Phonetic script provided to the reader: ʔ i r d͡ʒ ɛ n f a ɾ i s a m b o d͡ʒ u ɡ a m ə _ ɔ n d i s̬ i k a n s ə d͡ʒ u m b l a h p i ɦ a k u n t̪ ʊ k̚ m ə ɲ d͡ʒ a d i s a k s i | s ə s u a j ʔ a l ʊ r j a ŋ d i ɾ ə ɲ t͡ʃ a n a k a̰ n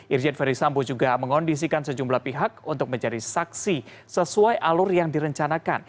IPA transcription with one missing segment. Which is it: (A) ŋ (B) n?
A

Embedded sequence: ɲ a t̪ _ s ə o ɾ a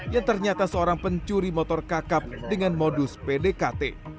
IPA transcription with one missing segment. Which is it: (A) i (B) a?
B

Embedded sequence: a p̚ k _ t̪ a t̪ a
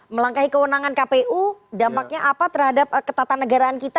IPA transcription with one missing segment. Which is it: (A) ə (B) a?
A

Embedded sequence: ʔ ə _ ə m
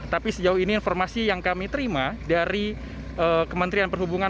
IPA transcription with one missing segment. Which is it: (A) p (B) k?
B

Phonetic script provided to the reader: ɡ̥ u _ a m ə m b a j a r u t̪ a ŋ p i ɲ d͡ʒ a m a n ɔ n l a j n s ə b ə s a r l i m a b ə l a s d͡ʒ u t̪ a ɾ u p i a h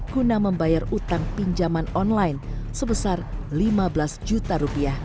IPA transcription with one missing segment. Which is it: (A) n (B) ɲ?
A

